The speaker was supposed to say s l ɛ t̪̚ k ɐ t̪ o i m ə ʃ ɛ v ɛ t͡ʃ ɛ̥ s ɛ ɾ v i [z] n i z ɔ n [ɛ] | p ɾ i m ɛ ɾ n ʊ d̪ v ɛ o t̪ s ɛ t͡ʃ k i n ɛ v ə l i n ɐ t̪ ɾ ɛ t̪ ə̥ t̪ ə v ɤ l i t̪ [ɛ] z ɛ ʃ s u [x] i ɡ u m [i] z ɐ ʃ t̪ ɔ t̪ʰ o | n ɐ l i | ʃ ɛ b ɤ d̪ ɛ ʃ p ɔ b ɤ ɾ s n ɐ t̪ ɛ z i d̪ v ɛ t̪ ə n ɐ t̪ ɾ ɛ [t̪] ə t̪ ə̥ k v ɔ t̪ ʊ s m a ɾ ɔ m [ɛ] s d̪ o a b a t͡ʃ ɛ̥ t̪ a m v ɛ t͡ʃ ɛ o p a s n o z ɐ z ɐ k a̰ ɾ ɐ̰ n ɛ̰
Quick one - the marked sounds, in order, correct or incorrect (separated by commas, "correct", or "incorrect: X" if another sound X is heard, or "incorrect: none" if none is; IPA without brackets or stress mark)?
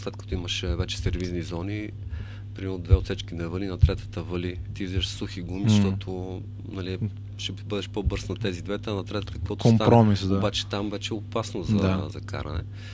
correct, incorrect: i, incorrect: i, correct, correct, correct, incorrect: i